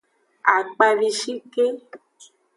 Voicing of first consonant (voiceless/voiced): voiceless